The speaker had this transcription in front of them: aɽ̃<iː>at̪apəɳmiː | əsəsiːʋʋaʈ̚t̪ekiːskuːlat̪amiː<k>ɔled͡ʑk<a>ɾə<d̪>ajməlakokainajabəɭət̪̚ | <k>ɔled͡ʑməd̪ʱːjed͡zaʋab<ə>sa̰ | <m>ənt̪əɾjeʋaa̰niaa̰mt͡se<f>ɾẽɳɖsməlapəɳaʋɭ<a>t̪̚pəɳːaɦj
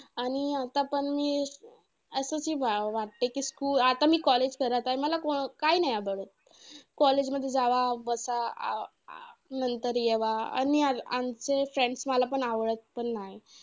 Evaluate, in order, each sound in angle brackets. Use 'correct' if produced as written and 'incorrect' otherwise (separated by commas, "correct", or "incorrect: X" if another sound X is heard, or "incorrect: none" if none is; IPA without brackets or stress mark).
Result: incorrect: i, correct, incorrect: ə, incorrect: t̪, correct, correct, incorrect: n, correct, incorrect: ə